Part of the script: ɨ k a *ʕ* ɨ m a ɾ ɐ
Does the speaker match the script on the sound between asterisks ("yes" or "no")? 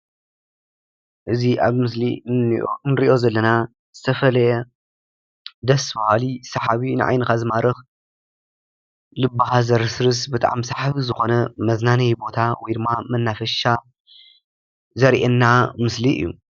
no